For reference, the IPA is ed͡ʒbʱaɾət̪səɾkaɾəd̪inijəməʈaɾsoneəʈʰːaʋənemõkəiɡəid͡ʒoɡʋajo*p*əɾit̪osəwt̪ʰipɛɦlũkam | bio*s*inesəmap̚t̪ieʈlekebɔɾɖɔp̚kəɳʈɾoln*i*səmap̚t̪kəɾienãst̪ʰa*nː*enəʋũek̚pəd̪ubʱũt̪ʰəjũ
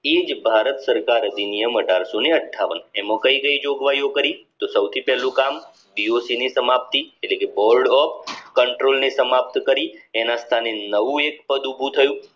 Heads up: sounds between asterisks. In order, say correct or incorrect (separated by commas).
incorrect, correct, incorrect, incorrect